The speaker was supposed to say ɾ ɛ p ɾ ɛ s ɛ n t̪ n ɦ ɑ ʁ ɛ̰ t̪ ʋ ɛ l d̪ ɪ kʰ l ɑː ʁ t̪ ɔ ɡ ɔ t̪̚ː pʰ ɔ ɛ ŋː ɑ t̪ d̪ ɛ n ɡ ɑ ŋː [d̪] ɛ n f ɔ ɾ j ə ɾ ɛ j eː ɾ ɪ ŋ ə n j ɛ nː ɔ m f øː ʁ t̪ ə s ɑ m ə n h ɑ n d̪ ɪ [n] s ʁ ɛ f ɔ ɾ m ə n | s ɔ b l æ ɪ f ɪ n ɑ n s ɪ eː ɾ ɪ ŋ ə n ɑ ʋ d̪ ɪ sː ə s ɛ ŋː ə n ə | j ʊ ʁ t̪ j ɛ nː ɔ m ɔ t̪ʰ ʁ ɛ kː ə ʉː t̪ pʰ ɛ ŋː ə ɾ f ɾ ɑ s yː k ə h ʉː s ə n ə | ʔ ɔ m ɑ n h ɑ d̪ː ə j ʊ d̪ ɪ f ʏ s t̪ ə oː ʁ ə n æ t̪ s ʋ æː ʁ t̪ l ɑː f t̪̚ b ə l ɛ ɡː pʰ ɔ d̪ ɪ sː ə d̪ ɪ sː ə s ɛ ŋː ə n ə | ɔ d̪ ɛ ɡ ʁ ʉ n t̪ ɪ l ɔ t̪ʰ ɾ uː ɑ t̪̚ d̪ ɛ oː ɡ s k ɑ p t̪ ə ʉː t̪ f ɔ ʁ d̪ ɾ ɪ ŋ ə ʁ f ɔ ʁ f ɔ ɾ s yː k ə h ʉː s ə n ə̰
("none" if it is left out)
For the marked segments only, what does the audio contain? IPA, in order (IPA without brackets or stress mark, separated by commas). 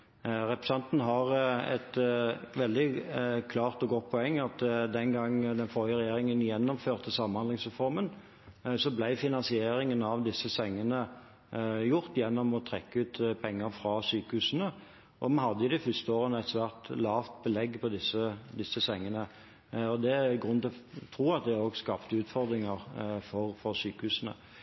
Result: d̪, ŋ